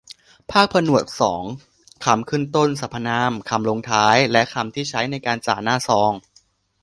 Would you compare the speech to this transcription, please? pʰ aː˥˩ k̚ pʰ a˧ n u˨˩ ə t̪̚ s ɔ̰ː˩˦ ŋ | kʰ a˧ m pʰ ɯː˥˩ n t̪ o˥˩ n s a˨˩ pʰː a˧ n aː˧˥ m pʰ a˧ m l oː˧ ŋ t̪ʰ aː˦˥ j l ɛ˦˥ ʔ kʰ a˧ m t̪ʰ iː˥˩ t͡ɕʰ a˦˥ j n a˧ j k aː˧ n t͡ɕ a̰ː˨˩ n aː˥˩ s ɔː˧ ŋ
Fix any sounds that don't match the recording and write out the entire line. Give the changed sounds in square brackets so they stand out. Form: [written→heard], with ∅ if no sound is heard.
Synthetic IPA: pʰ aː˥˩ k̚ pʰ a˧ n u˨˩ ə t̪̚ s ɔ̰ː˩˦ ŋ | kʰ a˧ m [pʰ→kʰ] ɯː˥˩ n t̪ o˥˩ n s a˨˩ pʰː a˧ n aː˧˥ m [pʰ→kʰ] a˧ m l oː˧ ŋ t̪ʰ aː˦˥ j l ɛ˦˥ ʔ kʰ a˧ m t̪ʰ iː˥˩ t͡ɕʰ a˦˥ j n a˧ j k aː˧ n t͡ɕ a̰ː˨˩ n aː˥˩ s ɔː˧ ŋ